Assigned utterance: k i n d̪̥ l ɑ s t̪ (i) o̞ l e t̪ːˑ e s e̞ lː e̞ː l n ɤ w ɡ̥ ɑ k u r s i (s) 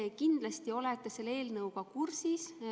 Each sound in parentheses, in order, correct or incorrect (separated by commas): correct, correct